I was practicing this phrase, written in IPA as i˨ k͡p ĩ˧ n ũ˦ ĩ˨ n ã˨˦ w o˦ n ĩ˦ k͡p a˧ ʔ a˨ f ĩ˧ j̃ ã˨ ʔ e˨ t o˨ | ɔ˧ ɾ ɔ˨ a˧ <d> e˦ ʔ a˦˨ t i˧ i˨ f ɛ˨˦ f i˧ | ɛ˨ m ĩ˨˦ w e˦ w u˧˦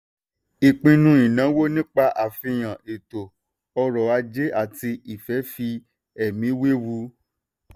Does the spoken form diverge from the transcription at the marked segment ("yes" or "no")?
yes